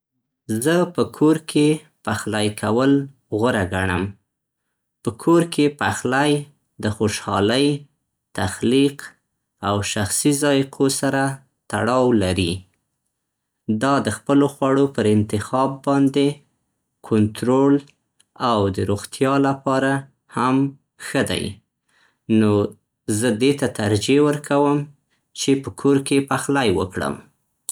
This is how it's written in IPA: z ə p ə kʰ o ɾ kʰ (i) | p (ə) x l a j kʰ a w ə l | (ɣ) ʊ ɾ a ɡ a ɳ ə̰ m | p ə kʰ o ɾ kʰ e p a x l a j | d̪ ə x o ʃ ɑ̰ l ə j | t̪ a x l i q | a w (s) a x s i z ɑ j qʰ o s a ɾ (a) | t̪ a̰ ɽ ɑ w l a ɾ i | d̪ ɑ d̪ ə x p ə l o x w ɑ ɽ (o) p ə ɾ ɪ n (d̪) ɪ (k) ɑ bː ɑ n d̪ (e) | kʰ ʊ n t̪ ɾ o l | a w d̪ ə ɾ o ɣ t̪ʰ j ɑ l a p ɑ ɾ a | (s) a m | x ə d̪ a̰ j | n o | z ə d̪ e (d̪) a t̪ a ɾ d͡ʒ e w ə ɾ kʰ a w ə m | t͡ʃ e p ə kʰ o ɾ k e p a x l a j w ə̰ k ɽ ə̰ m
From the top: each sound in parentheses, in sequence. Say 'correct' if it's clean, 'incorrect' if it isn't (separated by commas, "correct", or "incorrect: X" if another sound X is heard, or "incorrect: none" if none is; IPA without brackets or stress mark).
incorrect: e, incorrect: a, correct, incorrect: ʃ, correct, correct, incorrect: t̪, incorrect: x, correct, incorrect: h, incorrect: t̪